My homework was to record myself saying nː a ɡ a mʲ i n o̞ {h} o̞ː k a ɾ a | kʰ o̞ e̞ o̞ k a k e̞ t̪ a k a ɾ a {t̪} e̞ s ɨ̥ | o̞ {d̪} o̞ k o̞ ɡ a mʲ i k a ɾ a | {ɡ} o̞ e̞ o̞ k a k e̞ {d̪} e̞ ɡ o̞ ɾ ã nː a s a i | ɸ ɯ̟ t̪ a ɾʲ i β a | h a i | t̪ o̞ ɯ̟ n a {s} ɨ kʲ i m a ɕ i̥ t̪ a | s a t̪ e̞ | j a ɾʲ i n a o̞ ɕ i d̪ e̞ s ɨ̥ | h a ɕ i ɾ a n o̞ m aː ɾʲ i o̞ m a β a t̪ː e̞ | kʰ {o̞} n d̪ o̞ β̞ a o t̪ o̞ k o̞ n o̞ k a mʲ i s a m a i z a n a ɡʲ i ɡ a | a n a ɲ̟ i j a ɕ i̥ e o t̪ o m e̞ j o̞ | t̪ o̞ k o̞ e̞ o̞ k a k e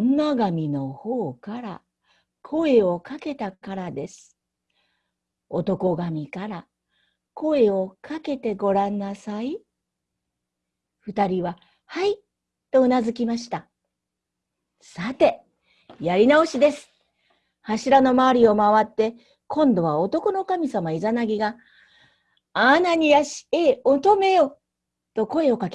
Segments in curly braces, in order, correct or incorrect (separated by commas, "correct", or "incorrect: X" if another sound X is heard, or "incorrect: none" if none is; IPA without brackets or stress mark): correct, incorrect: d̪, incorrect: t̪, incorrect: k, incorrect: t̪, incorrect: z, incorrect: õ̞